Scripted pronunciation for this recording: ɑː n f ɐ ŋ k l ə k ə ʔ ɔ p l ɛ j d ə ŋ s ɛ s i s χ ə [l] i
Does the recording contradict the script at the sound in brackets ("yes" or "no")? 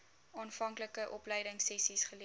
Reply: no